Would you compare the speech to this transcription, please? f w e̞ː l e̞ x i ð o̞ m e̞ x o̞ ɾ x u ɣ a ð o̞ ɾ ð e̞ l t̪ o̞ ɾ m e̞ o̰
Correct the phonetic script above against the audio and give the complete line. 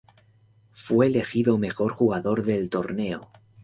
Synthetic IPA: f w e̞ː l e̞ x i ð o̞ m e̞ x o̞ ɾ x u ɣ a ð o̞ ɾ ð e̞ l t̪ o̞ ɾ n e̞ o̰